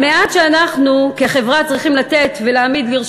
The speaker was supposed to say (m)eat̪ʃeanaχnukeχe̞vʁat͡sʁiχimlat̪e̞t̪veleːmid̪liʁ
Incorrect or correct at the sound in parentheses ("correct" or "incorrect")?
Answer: correct